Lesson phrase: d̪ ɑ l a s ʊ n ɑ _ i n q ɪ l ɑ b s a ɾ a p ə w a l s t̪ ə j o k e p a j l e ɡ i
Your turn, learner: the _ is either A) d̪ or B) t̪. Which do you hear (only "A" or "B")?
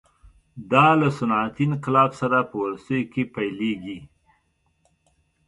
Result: B